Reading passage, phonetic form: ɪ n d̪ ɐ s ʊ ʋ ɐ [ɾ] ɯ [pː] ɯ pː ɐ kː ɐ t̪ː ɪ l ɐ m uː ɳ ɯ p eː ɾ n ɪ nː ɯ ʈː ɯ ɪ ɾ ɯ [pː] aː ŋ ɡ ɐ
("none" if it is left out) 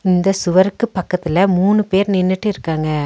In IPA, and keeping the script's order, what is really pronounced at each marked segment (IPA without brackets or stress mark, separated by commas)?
ɾ, kː, kː